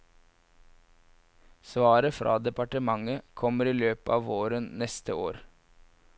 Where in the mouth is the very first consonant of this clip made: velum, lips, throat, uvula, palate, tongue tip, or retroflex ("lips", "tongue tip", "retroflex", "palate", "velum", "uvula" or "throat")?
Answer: tongue tip